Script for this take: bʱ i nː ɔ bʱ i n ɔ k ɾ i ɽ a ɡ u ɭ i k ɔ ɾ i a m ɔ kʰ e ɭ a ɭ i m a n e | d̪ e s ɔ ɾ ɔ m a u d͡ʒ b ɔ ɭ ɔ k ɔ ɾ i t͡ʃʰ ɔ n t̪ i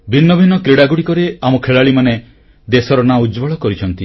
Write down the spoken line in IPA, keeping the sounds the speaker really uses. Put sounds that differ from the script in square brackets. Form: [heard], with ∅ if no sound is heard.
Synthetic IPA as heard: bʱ i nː ɔ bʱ i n ɔ k ɾ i ɽ a ɡ u [ɽ] i k ɔ ɾ [e] a m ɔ kʰ e ɭ a ɭ i m a n e | d̪ e s ɔ ɾ ɔ [n] a u d͡ʒ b ɔ ɭ ɔ k ɔ ɾ i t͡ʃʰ ɔ n t̪ i